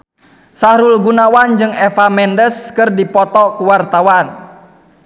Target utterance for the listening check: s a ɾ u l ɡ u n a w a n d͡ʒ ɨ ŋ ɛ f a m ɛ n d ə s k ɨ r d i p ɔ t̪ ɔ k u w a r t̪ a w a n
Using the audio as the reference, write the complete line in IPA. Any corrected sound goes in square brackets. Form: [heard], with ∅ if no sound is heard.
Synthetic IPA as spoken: s a ɾ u l ɡ u n a w a n d͡ʒ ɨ ŋ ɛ f a m ɛ n d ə s k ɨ r d i p ɔ t̪ ɔ k u w a r t̪ a w a n